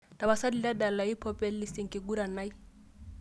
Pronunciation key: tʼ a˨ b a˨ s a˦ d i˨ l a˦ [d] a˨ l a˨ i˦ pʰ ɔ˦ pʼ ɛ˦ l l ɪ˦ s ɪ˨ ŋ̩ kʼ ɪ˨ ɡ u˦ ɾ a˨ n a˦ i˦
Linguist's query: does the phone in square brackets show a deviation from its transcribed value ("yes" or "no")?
no